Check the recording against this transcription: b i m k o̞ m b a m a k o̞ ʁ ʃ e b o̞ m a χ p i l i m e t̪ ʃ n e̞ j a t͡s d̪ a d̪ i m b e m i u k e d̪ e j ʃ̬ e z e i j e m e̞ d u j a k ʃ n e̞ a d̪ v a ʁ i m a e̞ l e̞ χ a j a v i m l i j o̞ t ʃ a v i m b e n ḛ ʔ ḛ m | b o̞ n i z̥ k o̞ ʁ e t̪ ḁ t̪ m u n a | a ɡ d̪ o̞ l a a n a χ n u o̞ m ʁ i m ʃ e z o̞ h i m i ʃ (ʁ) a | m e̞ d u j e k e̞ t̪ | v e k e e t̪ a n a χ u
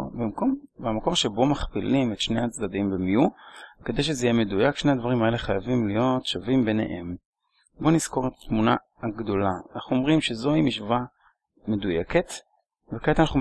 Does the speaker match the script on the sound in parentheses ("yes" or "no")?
no